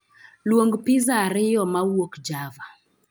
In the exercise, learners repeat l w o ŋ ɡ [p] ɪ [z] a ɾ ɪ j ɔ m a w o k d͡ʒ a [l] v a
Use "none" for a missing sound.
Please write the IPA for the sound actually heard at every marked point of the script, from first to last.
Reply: p, z, none

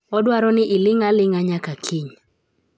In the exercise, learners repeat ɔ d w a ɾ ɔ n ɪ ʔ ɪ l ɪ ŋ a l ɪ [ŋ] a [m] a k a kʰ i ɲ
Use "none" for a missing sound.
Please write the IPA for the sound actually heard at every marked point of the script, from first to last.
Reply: ŋ, ɲ

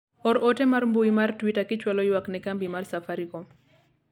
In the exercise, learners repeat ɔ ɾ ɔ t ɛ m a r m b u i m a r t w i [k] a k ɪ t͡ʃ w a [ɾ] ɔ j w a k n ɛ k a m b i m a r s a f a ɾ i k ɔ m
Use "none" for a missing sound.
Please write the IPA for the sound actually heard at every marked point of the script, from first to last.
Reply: t, l

